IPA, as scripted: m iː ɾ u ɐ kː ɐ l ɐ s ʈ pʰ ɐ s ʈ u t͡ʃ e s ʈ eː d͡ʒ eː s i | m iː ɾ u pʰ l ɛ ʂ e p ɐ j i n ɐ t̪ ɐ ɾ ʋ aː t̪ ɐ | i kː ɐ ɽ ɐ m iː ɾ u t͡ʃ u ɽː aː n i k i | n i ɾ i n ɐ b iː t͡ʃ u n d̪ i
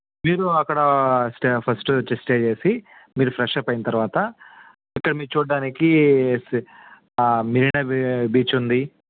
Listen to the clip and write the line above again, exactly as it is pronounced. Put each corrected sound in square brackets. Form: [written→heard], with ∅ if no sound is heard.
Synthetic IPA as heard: m iː ɾ u ɐ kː ɐ [l→ɽ] ɐ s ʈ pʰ ɐ s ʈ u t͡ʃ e s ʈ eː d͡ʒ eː s i | m iː ɾ u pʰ [l→ɾ] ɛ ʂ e p ɐ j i n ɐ t̪ ɐ ɾ ʋ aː t̪ ɐ | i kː ɐ ɽ ɐ m iː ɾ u t͡ʃ [u→uː] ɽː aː n i k i | [n→m] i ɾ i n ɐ b iː t͡ʃ u n d̪ i

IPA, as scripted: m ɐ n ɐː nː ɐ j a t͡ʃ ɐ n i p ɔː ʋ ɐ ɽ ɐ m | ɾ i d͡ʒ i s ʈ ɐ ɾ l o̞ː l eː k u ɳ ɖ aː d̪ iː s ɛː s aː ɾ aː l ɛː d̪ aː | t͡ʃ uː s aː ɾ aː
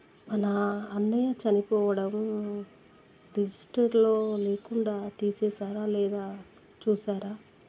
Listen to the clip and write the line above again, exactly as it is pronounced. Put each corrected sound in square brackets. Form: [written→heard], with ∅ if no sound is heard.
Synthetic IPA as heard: m ɐ n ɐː nː ɐ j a t͡ʃ ɐ n i p ɔː ʋ ɐ ɽ ɐ m | ɾ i d͡ʒ i s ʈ ɐ ɾ l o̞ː l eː k u ɳ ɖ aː [d̪→t̪] iː s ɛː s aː ɾ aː l ɛː d̪ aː | t͡ʃ uː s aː ɾ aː

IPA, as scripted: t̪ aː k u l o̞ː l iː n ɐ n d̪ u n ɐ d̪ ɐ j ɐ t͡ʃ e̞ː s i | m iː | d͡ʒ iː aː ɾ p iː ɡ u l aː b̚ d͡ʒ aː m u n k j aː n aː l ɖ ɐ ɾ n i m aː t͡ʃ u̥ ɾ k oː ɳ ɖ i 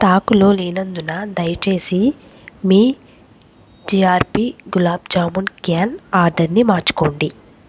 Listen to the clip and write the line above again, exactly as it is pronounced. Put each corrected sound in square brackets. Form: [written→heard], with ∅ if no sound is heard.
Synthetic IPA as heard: t̪ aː k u l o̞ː l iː n ɐ n d̪ u n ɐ d̪ ɐ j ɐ t͡ʃ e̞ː s i | m iː | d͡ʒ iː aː ɾ p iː ɡ u l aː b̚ d͡ʒ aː m u n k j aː n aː [l→ɾ] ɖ ɐ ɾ n i m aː t͡ʃ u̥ [ɾ→∅] k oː ɳ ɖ i

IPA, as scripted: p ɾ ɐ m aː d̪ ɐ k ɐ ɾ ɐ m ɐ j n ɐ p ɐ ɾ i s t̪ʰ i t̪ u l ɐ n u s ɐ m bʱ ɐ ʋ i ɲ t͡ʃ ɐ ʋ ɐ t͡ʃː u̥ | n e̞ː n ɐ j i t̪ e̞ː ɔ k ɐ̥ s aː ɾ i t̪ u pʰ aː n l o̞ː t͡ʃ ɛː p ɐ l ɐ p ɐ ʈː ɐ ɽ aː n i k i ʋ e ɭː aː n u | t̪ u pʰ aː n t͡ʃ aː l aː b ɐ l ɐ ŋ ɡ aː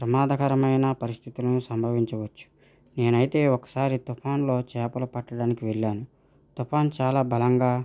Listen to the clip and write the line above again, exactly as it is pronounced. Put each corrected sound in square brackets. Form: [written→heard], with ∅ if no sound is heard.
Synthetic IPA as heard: p ɾ ɐ m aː d̪ ɐ k ɐ ɾ ɐ m ɐ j n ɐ p ɐ ɾ i s t̪ʰ i t̪ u l ɐ n u s ɐ m bʱ ɐ ʋ i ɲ t͡ʃ ɐ ʋ ɐ t͡ʃː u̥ | n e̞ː n ɐ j i t̪ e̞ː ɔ k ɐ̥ s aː ɾ i t̪ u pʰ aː n l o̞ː t͡ʃ ɛː p ɐ l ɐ p ɐ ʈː ɐ ɽ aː n i k i ʋ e ɭː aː n u | t̪ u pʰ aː n t͡ʃ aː l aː b ɐ l ɐ ŋ ɡ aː

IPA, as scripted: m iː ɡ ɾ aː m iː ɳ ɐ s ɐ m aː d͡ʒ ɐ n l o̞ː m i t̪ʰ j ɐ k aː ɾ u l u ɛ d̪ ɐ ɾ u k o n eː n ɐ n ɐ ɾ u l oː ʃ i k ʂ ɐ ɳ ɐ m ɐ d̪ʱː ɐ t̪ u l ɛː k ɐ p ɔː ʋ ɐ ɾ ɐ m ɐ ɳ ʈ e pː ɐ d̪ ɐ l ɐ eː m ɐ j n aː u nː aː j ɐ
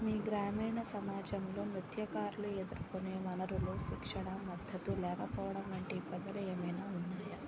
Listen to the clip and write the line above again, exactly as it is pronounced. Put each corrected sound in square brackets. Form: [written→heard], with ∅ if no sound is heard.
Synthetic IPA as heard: m iː ɡ ɾ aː m iː ɳ ɐ s ɐ m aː d͡ʒ ɐ [n→m] l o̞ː m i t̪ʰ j ɐ k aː ɾ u l u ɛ d̪ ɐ ɾ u k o n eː [n→m] ɐ n ɐ ɾ u l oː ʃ i k ʂ ɐ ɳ ɐ m ɐ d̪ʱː ɐ t̪ u l ɛː k ɐ p ɔː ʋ ɐ [ɾ→ɽ] ɐ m ɐ ɳ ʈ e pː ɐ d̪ ɐ l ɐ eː m ɐ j n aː u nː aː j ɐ

